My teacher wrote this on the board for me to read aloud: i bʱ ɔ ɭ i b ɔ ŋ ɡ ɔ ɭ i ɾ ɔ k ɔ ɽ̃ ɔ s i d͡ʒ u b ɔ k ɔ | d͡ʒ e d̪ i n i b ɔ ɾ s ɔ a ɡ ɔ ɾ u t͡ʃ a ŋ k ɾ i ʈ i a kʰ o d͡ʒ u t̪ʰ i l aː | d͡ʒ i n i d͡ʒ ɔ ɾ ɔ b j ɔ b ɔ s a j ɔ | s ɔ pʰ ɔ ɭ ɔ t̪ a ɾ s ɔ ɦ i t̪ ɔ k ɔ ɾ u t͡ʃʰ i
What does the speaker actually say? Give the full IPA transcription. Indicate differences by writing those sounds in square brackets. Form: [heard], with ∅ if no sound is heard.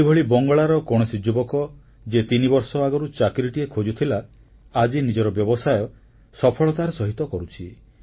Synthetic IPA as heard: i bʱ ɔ ɭ i b ɔ ŋ ɡ ɔ ɭ [a] ɾ ɔ k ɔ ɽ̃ ɔ s i d͡ʒ u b ɔ k ɔ | d͡ʒ e [t̪] i n i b ɔ ɾ s ɔ a ɡ ɔ ɾ u t͡ʃ a [∅] k ɾ i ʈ i [e] kʰ o d͡ʒ u t̪ʰ i l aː | d͡ʒ i n i d͡ʒ ɔ ɾ ɔ b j ɔ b ɔ s a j ɔ | s ɔ pʰ ɔ ɭ ɔ t̪ a ɾ s ɔ ɦ i t̪ ɔ k ɔ ɾ u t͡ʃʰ i